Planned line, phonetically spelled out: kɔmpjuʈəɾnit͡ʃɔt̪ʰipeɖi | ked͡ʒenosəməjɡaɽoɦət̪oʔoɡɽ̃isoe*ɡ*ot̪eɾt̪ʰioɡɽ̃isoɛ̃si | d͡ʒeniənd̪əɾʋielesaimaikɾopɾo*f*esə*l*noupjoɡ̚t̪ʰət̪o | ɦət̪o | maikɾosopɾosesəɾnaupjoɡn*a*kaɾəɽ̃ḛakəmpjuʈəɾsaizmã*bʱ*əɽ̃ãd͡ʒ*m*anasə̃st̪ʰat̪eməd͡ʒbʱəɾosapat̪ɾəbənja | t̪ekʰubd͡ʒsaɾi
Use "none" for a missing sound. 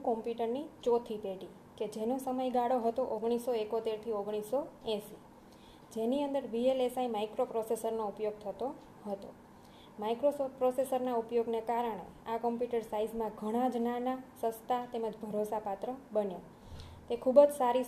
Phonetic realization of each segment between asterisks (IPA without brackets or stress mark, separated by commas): k, s, ɾ, e, ɡʱ, n